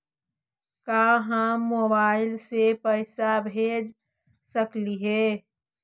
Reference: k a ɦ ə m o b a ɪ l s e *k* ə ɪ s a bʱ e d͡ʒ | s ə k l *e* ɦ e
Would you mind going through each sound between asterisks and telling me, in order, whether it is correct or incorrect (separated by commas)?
incorrect, incorrect